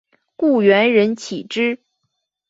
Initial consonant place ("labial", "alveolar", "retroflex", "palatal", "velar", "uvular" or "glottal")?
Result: velar